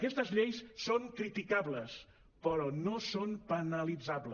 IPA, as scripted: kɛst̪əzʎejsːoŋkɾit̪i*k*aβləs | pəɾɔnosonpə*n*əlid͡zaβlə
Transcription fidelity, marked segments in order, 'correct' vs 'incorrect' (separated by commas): correct, correct